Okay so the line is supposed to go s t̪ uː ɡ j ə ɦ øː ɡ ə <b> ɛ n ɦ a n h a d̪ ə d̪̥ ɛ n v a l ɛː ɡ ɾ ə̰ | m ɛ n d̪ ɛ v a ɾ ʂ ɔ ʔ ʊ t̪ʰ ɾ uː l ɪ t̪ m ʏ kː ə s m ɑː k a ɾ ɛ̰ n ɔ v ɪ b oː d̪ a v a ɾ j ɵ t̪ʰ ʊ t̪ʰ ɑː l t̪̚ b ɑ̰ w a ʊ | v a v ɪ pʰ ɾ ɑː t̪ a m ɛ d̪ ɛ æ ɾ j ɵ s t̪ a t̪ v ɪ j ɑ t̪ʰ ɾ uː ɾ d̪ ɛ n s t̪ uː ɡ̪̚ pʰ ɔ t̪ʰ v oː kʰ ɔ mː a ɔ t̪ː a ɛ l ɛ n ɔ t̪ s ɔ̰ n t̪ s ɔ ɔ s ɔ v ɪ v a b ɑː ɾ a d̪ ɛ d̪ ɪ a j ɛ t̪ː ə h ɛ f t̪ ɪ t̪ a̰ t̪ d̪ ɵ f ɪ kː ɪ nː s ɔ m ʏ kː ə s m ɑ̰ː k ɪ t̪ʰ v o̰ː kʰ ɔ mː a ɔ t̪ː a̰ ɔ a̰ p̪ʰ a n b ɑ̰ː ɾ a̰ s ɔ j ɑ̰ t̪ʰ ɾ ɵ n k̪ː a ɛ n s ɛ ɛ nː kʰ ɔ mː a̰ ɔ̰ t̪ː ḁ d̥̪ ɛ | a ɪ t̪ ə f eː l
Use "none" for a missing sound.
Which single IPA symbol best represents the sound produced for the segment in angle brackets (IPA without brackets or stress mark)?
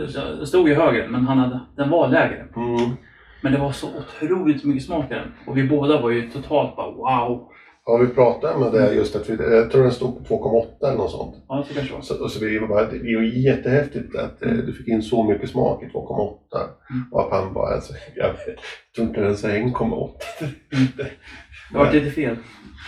m